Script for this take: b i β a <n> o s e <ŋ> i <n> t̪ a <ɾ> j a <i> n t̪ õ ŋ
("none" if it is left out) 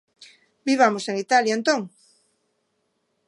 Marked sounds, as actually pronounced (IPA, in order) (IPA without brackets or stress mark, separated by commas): m, ŋ, none, l, e